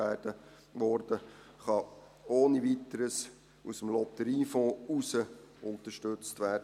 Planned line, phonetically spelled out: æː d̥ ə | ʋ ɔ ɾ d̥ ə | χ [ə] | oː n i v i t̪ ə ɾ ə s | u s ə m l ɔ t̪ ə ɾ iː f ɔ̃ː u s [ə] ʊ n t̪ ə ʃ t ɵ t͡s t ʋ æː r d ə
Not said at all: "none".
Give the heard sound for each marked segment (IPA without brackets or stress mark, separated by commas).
ɑ, ə